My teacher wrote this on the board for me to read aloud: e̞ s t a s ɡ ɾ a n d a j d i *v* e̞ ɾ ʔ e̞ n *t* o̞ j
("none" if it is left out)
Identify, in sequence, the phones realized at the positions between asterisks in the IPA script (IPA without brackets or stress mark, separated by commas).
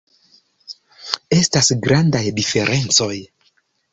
f, t͡s